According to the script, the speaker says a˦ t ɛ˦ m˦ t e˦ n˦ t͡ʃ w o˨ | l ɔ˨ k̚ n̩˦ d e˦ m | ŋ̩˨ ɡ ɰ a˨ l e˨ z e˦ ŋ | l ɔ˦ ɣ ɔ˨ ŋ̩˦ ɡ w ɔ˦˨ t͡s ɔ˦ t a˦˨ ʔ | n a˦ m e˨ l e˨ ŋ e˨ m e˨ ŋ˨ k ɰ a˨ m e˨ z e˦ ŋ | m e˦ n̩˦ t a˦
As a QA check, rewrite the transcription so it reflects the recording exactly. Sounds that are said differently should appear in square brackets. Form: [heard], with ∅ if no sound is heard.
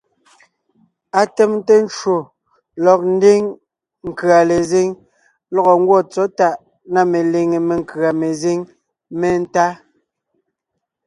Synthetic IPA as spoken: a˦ t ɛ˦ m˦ t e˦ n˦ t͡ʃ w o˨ | l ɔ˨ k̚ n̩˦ d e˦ [ŋ] | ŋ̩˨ [k] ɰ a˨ l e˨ z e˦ ŋ | l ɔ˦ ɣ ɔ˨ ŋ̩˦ ɡ w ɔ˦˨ t͡s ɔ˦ t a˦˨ ʔ | n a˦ m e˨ l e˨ ŋ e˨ m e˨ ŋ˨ k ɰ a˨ m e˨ z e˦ ŋ | m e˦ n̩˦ t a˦